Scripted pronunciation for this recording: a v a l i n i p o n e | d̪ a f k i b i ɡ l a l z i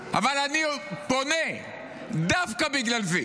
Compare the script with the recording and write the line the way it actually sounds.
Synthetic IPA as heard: a v a l a n i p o n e | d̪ a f k a b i ɡ l a l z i